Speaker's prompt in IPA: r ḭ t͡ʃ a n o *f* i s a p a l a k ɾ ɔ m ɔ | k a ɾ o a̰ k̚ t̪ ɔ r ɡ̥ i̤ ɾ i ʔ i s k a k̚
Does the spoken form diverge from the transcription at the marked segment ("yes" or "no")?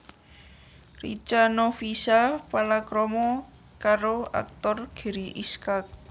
no